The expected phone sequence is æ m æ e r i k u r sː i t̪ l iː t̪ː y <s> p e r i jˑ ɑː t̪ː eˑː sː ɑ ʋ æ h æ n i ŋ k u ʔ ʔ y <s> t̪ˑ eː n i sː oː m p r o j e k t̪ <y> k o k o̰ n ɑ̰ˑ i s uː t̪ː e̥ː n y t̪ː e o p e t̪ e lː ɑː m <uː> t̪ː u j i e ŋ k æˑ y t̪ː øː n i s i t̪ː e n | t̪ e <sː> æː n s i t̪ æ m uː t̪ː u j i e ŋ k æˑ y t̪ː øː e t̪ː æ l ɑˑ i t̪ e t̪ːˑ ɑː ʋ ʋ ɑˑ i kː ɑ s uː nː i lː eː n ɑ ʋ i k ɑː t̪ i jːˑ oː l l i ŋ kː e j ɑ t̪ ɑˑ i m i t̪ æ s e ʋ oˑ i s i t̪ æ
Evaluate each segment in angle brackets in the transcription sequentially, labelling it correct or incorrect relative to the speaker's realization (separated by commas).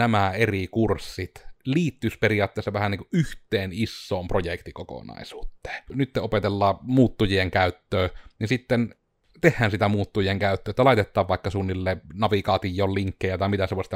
correct, incorrect, incorrect, correct, incorrect